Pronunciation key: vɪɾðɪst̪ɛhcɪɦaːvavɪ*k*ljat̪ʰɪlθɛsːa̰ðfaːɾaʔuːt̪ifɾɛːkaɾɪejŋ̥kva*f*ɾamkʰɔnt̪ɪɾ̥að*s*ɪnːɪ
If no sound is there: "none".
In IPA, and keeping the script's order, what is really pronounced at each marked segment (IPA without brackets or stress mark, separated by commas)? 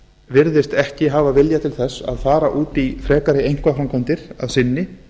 none, f, s